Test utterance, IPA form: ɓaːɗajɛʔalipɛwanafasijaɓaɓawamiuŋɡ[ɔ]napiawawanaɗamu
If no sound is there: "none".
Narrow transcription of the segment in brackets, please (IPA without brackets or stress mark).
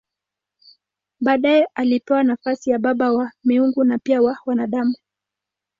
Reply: u